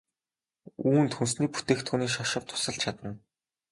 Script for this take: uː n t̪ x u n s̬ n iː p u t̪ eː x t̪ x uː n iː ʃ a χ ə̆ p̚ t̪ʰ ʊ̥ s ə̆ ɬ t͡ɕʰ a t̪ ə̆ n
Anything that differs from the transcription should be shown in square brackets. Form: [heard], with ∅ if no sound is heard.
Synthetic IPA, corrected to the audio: uː n t̪ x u n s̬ n iː p u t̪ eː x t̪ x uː n iː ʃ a [ʃ] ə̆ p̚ t̪ʰ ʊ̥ s ə̆ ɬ t͡ɕʰ a t̪ ə̆ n

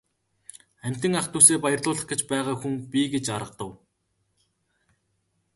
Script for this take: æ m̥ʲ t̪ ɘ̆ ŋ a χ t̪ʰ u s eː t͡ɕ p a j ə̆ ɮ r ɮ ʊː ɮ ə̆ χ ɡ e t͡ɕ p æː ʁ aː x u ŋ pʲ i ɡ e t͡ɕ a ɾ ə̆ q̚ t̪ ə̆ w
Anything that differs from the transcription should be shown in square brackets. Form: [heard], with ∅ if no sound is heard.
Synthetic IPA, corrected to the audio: æ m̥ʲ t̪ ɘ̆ ŋ a χ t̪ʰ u s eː [∅] p a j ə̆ [∅] r ɮ ʊː ɮ ə̆ χ ɡ e t͡ɕ p æː ʁ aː x u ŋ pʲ i ɡ e t͡ɕ a ɾ ə̆ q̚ t̪ ə̆ w

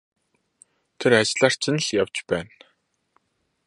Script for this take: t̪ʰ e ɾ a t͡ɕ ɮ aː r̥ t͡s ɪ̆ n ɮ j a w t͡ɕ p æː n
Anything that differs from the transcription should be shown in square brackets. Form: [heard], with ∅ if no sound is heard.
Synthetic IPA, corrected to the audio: t̪ʰ e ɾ a t͡ɕ ɮ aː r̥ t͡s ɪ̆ n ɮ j a w t͡ɕ p æː n

